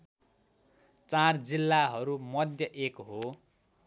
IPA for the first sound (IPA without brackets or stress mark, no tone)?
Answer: t͡s